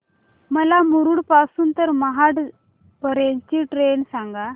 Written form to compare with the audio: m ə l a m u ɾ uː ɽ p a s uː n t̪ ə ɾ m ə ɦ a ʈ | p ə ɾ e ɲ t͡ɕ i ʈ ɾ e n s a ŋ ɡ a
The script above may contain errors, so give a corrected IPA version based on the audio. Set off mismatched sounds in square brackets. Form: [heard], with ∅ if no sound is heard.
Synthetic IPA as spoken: m ə l a m u ɾ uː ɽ p a s uː n t̪ ə ɾ m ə ɦ a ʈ | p ə ɾ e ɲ t͡ɕ i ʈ ɾ e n s a ŋ ɡ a